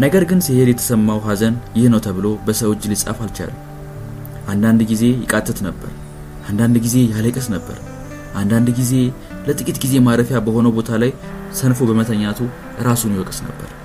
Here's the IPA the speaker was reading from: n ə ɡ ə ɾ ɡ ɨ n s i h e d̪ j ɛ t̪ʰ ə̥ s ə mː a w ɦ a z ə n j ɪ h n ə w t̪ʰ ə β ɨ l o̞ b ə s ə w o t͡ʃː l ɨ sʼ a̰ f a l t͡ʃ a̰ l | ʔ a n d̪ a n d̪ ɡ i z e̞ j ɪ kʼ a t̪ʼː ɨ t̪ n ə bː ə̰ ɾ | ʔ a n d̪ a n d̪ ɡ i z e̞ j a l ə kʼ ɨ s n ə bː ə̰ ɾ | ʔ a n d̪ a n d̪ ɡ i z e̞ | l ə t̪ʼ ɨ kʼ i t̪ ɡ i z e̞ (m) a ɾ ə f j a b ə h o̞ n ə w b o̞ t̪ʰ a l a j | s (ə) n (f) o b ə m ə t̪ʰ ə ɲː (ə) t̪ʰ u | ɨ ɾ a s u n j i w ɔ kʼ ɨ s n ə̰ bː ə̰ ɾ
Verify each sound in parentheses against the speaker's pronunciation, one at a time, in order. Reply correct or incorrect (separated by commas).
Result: correct, correct, correct, incorrect